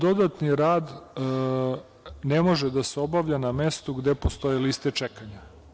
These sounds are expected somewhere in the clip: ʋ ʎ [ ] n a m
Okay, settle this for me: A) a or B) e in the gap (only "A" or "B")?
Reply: A